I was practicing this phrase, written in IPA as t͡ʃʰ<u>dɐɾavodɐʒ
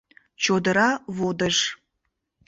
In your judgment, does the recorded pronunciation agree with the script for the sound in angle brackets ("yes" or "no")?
no